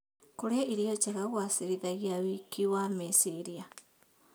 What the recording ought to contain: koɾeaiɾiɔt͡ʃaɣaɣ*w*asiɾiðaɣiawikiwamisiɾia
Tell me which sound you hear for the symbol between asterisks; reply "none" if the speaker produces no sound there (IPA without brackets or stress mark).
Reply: w